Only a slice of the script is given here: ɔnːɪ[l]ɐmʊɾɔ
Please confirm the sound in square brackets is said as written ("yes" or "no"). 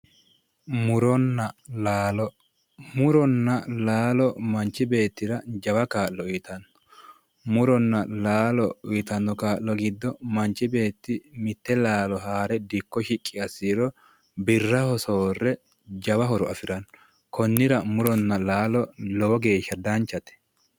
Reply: no